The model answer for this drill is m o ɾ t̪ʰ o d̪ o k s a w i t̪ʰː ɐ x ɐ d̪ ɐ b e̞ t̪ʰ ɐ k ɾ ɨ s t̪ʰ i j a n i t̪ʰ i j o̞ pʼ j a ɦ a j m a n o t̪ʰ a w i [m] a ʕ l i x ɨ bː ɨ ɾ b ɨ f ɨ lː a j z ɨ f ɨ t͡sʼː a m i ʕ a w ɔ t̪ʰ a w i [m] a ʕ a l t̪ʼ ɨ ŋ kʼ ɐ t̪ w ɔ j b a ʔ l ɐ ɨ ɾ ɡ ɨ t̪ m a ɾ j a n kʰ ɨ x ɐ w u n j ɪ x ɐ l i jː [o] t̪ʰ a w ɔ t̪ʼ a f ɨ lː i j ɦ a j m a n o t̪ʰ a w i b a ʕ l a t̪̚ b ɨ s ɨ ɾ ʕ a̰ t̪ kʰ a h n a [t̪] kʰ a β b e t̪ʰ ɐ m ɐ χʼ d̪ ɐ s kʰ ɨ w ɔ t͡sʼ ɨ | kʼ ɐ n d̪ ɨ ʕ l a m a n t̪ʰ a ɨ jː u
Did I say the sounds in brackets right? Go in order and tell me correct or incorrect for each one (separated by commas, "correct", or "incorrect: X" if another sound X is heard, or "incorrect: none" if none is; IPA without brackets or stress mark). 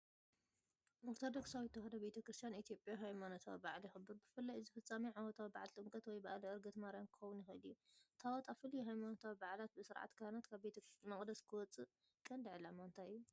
incorrect: b, incorrect: b, incorrect: u, correct